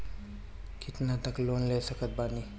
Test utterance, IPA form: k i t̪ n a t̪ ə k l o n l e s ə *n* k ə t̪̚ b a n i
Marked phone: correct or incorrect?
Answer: incorrect: none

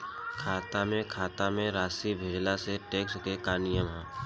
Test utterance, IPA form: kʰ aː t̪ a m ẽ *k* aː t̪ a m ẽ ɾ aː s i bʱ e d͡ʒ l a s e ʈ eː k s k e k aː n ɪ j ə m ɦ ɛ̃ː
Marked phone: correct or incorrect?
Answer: incorrect: kʰ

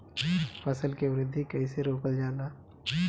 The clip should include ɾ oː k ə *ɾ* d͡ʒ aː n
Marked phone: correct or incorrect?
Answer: incorrect: l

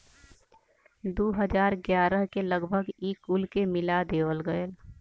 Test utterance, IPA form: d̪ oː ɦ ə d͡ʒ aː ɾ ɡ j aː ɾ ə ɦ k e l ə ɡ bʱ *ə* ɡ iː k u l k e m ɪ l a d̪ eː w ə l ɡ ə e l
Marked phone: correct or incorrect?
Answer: correct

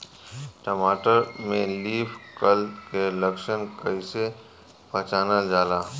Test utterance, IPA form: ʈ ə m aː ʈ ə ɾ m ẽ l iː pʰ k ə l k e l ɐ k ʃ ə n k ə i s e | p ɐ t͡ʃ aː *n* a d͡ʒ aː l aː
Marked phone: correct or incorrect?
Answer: correct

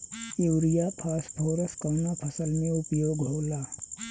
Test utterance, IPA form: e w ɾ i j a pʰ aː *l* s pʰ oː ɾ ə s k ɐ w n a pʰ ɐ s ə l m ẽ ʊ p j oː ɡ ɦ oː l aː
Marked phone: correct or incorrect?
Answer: incorrect: none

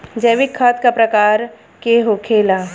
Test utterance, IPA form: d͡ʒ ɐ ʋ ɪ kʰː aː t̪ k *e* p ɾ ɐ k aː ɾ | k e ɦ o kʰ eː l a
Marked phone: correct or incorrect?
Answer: incorrect: a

